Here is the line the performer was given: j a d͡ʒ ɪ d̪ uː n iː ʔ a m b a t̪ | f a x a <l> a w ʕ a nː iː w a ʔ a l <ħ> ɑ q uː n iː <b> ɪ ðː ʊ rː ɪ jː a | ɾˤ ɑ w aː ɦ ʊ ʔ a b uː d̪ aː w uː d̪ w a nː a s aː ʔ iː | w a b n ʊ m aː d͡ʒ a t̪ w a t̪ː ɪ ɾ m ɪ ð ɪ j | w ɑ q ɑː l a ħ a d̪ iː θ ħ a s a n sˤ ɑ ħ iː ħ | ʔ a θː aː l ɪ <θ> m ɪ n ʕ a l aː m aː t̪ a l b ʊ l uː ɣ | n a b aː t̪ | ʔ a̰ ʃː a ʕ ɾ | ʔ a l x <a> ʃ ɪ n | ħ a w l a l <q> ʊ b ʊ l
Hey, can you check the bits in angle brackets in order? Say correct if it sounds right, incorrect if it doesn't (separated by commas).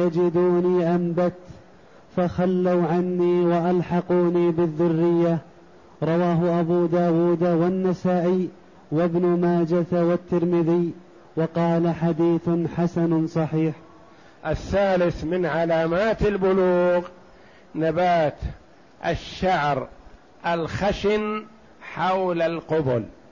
incorrect, correct, correct, correct, correct, correct